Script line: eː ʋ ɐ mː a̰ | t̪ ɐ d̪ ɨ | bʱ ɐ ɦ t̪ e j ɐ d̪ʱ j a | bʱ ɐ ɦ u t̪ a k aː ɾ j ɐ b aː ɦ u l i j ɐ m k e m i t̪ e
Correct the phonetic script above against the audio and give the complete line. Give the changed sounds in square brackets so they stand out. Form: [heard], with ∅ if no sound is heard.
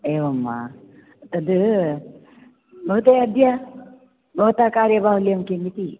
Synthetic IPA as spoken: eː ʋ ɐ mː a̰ | t̪ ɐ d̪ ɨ | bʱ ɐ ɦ t̪ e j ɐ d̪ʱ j a | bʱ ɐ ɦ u t̪ a k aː ɾ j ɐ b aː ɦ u l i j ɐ m k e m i t̪ [i]